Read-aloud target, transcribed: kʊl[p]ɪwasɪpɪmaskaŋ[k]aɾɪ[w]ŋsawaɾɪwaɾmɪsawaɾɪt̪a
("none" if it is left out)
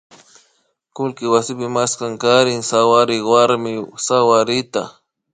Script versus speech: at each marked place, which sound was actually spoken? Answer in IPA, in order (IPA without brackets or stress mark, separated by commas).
k, k, none